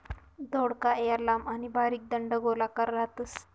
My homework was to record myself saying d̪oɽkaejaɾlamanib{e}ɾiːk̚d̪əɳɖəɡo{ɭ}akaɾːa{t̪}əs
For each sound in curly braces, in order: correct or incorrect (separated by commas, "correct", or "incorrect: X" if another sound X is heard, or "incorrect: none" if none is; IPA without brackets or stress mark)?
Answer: incorrect: a, incorrect: l, correct